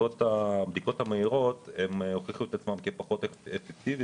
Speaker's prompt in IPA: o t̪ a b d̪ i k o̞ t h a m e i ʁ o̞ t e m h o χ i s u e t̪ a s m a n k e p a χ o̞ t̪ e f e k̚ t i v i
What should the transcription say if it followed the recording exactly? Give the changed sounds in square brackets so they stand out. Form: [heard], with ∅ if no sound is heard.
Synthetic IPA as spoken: o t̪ a b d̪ i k o̞ t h a m e i ʁ o̞ t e m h o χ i [χ] u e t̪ a [t͡s] m a [m] k e p a χ o̞ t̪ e f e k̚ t i v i